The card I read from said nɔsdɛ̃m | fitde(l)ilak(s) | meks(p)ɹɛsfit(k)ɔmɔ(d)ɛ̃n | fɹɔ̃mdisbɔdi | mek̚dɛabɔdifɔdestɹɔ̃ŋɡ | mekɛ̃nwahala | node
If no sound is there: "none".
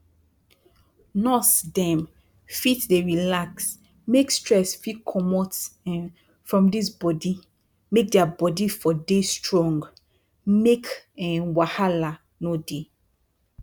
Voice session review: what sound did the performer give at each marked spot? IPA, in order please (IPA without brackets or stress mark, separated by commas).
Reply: ɹ, s, t, kʰ, t